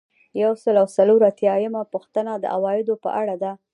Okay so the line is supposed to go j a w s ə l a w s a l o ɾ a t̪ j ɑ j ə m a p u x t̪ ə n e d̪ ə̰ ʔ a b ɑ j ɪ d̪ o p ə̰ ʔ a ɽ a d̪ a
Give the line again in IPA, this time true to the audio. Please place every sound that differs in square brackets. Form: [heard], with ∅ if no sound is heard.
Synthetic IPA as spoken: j a w s ə l a w s a l o ɾ a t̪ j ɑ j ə m a p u x t̪ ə n [a] d̪ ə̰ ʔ a [w] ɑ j ɪ d̪ o p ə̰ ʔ a ɽ a d̪ a